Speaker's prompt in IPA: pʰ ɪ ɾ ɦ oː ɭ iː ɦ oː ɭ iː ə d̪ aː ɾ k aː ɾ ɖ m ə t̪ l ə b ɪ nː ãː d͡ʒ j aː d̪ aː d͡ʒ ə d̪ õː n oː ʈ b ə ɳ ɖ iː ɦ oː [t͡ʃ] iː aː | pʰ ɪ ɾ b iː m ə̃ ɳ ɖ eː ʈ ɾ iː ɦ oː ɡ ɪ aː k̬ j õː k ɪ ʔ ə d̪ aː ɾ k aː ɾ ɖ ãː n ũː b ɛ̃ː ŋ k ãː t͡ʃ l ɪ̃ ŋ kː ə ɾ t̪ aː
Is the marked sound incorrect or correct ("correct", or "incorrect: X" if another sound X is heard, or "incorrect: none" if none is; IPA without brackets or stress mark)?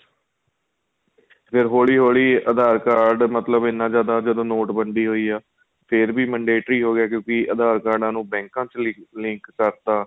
incorrect: none